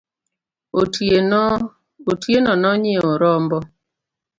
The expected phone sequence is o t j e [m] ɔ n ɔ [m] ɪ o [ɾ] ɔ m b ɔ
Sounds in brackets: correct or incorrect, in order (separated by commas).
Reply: incorrect, incorrect, correct